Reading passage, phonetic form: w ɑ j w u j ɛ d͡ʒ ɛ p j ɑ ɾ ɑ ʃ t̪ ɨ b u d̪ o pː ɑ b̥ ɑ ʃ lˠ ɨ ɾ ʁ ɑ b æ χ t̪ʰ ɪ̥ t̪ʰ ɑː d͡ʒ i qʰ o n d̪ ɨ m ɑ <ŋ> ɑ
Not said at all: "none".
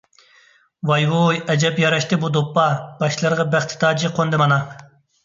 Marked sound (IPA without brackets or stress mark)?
n